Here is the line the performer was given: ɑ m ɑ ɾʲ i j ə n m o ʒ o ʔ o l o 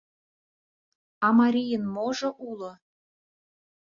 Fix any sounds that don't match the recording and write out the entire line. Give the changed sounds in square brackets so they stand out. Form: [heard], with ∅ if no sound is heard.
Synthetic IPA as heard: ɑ m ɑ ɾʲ i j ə n m o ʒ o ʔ [u] l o